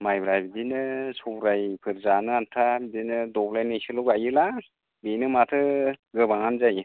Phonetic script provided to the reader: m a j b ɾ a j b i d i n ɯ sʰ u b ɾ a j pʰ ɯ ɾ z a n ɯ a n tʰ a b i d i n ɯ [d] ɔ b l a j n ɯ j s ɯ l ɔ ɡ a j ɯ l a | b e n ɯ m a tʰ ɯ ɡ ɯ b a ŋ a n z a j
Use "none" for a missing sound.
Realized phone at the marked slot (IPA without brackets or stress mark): d